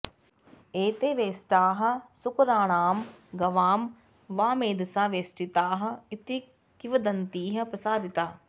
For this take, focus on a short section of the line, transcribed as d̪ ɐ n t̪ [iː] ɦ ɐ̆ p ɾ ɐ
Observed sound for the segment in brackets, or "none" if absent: iː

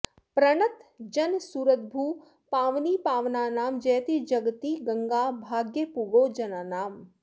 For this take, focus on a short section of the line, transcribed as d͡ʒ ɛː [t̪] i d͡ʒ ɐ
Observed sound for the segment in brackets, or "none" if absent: t̪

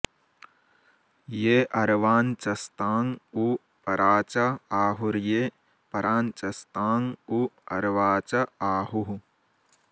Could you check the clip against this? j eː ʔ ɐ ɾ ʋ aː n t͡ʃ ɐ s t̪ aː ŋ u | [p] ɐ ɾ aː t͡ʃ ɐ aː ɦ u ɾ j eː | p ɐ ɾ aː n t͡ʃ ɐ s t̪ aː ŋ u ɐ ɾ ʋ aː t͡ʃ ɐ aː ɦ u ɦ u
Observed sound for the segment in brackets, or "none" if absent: p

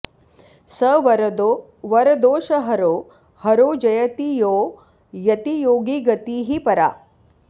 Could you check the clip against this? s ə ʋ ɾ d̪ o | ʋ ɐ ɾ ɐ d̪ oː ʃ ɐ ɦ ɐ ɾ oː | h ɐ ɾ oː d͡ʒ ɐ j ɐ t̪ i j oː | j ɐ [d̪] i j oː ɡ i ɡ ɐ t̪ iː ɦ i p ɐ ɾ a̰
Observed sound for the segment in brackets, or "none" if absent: t̪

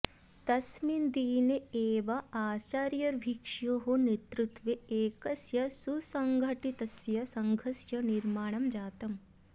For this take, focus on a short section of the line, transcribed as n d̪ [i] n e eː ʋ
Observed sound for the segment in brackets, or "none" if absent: iː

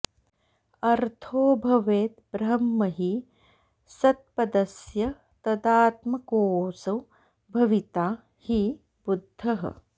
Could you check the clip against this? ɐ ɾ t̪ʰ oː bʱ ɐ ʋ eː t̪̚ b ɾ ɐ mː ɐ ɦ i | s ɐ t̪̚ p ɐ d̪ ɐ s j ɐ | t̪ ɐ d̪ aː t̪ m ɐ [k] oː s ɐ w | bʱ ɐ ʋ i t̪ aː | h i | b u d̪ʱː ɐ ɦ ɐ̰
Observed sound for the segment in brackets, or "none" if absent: k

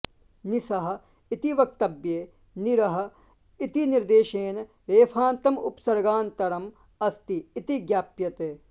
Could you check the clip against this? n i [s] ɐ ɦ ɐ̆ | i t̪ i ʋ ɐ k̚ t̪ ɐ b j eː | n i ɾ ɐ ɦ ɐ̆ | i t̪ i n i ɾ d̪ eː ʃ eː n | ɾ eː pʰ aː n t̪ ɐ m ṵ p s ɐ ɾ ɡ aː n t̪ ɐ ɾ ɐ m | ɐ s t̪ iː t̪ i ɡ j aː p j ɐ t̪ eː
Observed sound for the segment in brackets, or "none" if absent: s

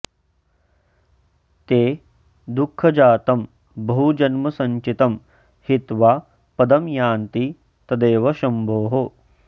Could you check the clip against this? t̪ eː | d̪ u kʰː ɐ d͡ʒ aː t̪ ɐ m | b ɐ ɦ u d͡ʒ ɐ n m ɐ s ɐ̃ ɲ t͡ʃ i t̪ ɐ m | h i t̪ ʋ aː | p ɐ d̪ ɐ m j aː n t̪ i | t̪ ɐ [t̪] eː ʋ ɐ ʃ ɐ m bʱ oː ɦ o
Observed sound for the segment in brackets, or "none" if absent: d̪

